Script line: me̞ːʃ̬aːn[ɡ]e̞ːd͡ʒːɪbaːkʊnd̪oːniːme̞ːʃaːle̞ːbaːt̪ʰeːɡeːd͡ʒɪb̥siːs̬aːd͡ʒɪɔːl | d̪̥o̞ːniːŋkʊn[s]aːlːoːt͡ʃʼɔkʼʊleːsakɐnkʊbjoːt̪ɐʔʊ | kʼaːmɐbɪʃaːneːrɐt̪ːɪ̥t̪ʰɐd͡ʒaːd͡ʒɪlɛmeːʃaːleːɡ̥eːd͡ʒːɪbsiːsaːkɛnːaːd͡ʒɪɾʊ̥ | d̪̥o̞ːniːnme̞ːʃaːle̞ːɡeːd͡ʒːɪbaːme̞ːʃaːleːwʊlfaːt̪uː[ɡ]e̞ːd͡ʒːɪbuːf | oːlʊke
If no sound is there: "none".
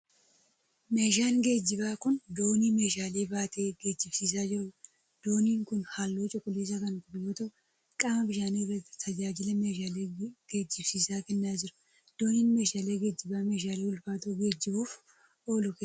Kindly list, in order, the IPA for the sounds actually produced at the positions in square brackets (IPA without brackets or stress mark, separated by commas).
ɡ, h, ɡ